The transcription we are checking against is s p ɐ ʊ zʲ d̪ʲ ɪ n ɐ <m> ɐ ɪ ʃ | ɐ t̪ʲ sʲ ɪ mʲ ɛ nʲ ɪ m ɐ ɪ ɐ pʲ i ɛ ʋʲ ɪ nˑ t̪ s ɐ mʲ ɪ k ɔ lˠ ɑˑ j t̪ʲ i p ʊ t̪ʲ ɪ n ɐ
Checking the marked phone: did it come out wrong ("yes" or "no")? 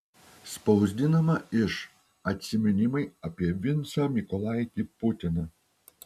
no